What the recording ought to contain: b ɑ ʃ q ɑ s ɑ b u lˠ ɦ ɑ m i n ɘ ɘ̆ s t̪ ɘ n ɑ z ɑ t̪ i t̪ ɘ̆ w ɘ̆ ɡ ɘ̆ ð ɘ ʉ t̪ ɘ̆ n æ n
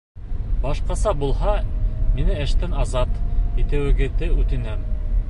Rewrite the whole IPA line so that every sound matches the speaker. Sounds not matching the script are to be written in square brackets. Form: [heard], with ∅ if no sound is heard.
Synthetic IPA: b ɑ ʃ q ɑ s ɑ b u lˠ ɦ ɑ m i n ɘ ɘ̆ [ʃ] t̪ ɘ n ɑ z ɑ t̪ i t̪ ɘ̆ w ɘ̆ ɡ ɘ̆ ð ɘ ʉ t̪ ɘ̆ n æ [m]